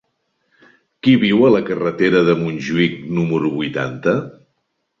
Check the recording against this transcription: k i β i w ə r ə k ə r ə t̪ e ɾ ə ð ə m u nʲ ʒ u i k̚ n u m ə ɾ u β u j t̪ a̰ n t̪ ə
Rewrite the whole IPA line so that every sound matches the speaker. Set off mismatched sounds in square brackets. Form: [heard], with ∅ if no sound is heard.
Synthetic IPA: k i β i w ə [l] ə k ə r ə t̪ e ɾ ə ð ə m u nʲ ʒ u i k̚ n u m ə ɾ u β u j t̪ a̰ n t̪ ə